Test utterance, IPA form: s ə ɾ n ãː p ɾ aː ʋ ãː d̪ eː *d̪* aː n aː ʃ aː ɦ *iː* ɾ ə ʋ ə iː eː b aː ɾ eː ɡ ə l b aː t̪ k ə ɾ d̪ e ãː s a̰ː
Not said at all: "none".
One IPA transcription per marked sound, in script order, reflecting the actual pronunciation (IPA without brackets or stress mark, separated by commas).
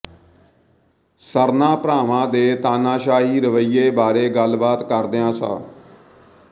t̪, iː